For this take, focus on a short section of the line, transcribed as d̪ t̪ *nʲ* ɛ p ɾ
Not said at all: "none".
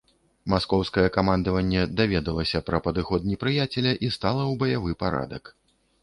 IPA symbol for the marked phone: nʲ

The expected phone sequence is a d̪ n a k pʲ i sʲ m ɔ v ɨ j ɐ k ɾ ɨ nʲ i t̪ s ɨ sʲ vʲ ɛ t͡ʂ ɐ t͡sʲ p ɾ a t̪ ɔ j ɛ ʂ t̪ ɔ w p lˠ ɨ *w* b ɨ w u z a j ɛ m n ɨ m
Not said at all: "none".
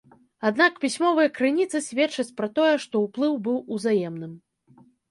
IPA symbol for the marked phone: w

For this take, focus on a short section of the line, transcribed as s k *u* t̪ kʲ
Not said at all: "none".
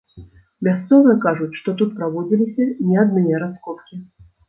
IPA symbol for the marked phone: ɔ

